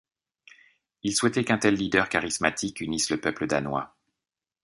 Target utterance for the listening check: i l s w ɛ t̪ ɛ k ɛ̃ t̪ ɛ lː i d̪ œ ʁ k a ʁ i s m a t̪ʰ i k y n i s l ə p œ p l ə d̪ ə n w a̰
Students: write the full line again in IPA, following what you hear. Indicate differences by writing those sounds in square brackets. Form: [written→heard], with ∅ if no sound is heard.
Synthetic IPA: i l s w ɛ t̪ ɛ k ɛ̃ t̪ ɛ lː i d̪ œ ʁ k a ʁ i s m a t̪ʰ i k y n i s l ə p œ p l ə d̪ [ə→a] n w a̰

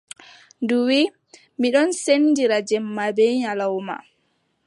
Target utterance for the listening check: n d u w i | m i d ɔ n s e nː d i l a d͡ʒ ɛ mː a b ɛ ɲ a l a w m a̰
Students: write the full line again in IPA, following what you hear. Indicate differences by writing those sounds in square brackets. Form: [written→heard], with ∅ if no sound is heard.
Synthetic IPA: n d u w i | m i [d→ɗ] ɔ n s e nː d i [l→ɾ] a d͡ʒ ɛ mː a b ɛ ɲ a l a w m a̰

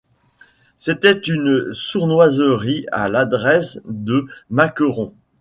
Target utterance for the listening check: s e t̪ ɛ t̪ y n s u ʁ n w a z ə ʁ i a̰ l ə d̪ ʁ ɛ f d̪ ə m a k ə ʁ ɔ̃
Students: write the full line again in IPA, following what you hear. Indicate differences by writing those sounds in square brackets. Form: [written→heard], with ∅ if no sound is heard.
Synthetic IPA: s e t̪ ɛ t̪ y n s u ʁ n w a z ə ʁ i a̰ l [ə→a] d̪ ʁ ɛ [f→s] d̪ ə m a k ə ʁ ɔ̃

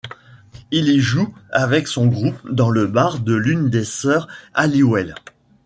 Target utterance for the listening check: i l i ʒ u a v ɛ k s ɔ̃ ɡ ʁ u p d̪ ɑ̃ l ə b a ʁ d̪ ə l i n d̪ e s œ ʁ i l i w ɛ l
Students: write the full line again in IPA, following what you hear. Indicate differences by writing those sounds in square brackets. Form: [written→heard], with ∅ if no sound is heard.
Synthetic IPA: i l i ʒ u a v ɛ k s ɔ̃ ɡ ʁ u p d̪ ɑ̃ l ə b a ʁ d̪ ə l [i→y] n d̪ e s œ ʁ [i→a] l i w ɛ l

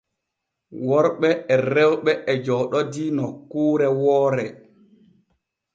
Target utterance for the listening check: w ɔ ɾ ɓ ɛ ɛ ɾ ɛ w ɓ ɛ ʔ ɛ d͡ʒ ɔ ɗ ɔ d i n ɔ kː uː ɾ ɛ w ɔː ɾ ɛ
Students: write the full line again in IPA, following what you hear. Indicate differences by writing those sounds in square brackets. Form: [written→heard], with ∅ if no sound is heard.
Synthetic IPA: w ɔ ɾ ɓ ɛ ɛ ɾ ɛ w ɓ ɛ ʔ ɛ d͡ʒ ɔ ɗ ɔ d i n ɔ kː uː ɾ ɛ w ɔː ɾ ɛ

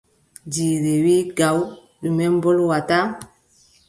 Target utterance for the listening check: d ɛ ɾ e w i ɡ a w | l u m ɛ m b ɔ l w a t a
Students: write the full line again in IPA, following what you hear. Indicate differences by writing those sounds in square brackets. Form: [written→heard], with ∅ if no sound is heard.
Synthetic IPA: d [ɛ→i] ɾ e w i ɡ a w | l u m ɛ m b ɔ l w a t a

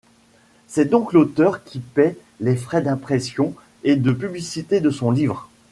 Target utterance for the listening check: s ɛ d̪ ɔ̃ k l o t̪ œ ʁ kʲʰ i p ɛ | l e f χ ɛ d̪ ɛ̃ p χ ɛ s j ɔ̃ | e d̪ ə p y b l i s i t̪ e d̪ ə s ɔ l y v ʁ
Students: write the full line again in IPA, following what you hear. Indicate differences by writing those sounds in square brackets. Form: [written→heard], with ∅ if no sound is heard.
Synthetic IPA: s ɛ d̪ ɔ̃ k l o t̪ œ ʁ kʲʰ i p ɛ | l e f χ ɛ d̪ ɛ̃ p χ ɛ s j ɔ̃ | e d̪ ə p y b l i s i t̪ e d̪ ə s [ɔ→ɔ̃] l [y→i] v ʁ

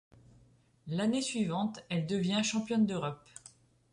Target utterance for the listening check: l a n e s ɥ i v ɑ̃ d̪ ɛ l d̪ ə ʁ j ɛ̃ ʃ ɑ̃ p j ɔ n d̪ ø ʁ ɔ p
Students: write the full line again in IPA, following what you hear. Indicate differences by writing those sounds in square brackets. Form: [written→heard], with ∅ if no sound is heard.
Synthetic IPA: l a n e s ɥ i v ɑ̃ [d̪→t̪] ɛ l d̪ ə [ʁ→v] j ɛ̃ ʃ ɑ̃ p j ɔ n d̪ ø ʁ ɔ p

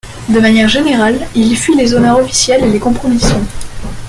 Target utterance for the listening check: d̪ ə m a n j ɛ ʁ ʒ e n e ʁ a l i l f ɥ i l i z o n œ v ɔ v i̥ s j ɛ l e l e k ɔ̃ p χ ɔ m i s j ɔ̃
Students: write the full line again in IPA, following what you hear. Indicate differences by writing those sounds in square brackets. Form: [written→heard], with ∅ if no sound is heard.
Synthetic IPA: d̪ ə m a n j ɛ ʁ ʒ e n e ʁ a l i l f ɥ i l [i→e] z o n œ [v→ʁ] ɔ [v→f] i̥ s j ɛ l e l e k ɔ̃ p χ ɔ m i s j ɔ̃

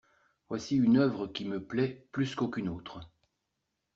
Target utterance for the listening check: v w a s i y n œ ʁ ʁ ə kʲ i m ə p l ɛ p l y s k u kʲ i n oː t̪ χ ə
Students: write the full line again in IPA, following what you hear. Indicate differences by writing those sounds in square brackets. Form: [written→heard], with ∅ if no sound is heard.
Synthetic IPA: v w a s i y n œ [ʁ→v] ʁ ə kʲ i m ə p l ɛ p l y s k [u→o] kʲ [i→y] n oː t̪ χ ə

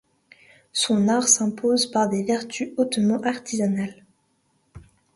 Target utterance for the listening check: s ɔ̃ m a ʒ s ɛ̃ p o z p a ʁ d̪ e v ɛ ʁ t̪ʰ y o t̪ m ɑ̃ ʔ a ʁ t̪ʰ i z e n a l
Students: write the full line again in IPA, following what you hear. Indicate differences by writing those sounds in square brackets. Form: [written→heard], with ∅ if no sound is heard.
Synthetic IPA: s ɔ̃ [m→n] a [ʒ→ʁ] s ɛ̃ p o z p a ʁ d̪ e v ɛ ʁ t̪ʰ y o t̪ m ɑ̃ ʔ a ʁ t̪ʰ i z [e→a] n a l

